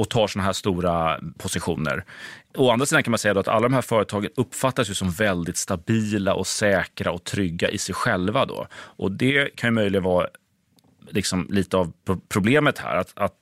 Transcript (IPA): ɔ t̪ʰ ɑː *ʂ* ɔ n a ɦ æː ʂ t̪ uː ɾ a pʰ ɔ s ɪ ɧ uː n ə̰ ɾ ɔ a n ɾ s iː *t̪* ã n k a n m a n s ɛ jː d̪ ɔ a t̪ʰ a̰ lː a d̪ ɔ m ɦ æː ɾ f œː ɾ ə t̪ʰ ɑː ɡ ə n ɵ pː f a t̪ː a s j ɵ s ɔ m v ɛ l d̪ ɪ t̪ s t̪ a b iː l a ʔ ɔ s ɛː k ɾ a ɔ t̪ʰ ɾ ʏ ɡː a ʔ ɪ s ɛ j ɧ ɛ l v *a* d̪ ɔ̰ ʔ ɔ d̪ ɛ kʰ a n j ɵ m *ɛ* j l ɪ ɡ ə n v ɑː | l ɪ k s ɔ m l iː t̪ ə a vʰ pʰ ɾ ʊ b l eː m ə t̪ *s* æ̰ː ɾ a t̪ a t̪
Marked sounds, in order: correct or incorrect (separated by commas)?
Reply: correct, incorrect, correct, incorrect, incorrect